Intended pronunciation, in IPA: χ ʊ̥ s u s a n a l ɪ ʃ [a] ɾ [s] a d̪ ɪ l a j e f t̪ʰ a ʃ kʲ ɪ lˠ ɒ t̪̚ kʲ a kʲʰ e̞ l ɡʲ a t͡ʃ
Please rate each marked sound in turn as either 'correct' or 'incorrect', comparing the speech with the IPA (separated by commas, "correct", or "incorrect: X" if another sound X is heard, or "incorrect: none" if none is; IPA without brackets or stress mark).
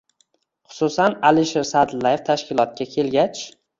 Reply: incorrect: e, correct